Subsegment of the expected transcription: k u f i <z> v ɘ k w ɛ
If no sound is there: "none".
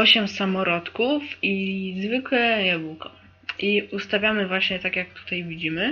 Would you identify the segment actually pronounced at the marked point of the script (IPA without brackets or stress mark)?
z